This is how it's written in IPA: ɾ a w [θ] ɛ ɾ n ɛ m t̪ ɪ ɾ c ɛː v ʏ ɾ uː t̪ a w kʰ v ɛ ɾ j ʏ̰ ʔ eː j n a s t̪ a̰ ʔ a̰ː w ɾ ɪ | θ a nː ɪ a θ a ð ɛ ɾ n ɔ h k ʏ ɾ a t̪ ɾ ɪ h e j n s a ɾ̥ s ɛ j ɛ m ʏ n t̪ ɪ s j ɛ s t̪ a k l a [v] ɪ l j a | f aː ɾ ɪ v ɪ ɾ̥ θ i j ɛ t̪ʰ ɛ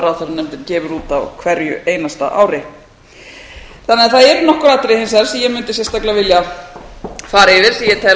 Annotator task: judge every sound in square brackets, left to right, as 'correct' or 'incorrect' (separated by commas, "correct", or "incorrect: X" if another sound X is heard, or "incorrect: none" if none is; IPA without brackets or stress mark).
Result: correct, correct